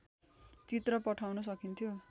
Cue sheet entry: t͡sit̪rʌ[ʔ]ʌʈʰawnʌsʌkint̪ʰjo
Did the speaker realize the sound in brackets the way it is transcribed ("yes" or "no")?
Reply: no